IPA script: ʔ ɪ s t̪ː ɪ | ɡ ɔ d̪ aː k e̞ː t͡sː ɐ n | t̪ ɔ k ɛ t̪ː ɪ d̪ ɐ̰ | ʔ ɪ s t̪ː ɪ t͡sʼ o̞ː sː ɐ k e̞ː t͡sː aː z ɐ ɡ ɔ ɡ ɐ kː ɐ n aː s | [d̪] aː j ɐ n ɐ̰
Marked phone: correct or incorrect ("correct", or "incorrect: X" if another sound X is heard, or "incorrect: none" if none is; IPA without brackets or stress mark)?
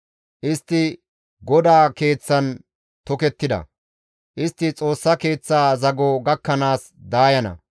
correct